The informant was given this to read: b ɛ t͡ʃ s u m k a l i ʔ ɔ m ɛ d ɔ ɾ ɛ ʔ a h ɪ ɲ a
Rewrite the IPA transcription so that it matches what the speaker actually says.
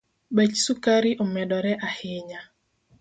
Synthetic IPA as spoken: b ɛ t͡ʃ s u k a ɾ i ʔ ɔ m ɛ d ɔ ɾ ɛ ʔ a h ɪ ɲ a